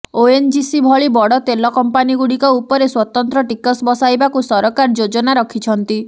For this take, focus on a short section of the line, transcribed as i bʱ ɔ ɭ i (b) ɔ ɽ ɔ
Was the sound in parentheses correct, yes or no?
yes